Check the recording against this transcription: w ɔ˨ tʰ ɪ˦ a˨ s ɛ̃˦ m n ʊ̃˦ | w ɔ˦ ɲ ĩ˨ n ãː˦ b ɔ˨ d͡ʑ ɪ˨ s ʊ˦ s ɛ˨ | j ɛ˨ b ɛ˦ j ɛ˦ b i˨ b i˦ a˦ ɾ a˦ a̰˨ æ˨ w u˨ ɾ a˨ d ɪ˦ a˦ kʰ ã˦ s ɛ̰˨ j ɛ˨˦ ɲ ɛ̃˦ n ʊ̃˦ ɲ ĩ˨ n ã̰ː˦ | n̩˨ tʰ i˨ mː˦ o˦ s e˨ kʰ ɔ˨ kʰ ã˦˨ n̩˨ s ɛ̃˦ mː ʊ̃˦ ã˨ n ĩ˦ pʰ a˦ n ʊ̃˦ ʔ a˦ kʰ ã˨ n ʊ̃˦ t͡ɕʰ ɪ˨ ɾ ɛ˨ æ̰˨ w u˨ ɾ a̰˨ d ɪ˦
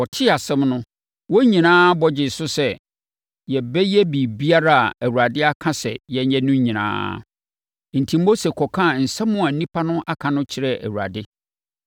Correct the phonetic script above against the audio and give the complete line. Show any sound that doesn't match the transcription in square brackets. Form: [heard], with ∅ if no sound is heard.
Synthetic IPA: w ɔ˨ tʰ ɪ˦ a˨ s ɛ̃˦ m n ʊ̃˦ | w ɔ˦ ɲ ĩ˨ n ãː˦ b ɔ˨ d͡ʑ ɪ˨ s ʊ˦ s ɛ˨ | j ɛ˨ b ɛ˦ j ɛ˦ b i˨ b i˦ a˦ ɾ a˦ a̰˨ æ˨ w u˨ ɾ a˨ d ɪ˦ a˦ kʰ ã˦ s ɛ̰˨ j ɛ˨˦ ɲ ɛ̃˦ n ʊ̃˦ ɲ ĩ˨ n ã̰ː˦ | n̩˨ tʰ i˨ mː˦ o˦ s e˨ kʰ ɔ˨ kʰ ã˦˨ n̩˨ s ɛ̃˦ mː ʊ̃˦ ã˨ n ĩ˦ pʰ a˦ n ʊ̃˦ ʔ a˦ kʰ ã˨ n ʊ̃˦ t͡ɕʰ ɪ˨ ɾ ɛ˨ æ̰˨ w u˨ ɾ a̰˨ d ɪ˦